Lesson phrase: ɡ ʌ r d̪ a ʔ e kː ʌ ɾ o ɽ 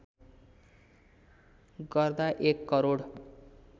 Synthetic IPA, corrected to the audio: ɡ ʌ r d̪ a ʔ e kː ʌ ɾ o ɽ